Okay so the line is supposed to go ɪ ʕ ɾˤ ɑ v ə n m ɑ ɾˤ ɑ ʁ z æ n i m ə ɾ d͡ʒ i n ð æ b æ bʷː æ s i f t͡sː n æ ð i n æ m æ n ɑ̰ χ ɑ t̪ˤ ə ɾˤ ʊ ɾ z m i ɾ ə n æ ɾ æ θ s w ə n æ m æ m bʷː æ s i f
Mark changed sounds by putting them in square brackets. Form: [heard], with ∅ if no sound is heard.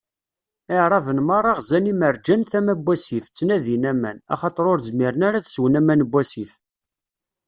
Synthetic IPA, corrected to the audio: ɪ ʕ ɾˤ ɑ v ə n m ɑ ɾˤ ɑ ʁ z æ n i m ə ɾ d͡ʒ [æ] n [θ] æ [m] æ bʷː æ s i f t͡sː n æ ð i n æ m æ n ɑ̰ χ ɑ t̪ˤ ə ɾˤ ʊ ɾ z m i ɾ ə n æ ɾ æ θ s w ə n æ m æ [n] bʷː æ s i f